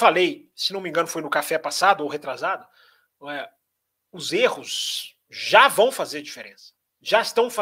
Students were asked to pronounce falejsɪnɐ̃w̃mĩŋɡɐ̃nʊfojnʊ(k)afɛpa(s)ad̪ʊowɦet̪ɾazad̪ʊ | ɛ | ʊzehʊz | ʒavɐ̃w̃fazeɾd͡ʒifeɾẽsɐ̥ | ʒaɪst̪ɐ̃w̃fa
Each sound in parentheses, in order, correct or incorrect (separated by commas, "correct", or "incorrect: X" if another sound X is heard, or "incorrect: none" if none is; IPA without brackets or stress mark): correct, correct